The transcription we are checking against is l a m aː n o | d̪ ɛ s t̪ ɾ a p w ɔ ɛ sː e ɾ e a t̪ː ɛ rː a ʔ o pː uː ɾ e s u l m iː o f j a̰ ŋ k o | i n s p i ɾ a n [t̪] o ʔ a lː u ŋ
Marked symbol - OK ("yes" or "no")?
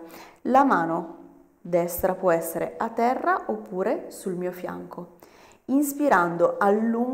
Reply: no